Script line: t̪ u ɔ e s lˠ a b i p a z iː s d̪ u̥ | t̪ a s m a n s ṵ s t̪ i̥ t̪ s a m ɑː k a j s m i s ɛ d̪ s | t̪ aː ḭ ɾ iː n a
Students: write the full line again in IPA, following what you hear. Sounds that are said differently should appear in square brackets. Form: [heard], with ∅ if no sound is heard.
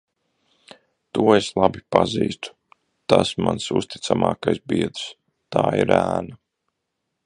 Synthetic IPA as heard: t̪ u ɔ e s lˠ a b i p a z iː s [t̪] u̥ | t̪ a s m a n s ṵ s t̪ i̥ t̪ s a m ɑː k a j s [b] i [∅] ɛ d̪ s | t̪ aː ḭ ɾ [æː] n a